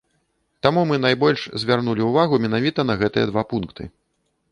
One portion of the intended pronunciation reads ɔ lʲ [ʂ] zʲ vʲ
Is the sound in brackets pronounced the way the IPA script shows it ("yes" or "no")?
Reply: yes